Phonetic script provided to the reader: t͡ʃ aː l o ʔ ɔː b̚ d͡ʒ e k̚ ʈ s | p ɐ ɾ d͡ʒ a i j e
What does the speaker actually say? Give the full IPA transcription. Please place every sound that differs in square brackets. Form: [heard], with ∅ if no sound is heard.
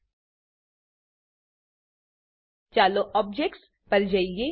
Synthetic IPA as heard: t͡ʃ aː l o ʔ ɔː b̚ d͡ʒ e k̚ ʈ s | p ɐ ɾ d͡ʒ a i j e